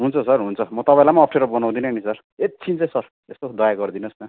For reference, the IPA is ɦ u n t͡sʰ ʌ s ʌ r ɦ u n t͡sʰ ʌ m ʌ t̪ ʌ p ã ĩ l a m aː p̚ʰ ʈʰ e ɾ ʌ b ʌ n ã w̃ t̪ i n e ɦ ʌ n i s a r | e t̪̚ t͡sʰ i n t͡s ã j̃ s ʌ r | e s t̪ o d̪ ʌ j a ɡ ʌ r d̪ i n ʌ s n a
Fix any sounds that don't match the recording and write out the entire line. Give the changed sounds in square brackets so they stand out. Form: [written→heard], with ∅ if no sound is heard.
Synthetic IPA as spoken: ɦ u n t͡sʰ ʌ s ʌ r ɦ u n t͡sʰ ʌ m ʌ t̪ ʌ p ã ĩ l a m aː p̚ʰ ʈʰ e ɾ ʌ b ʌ n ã w̃ [t̪→d̪] i n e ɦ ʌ n i s [a→ʌ] r | e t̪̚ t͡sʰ i n t͡s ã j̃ s ʌ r | e s t̪ o d̪ ʌ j a ɡ ʌ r d̪ i n ʌ s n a